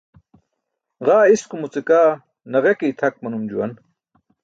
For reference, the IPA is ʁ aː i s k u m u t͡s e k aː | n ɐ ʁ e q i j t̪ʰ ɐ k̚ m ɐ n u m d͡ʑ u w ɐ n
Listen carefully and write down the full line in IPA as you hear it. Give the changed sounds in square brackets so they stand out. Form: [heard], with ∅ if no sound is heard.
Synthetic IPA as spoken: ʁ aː i s k u m u t͡s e k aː | n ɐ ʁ e [k] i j t̪ʰ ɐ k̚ m ɐ n u m d͡ʑ u w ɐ n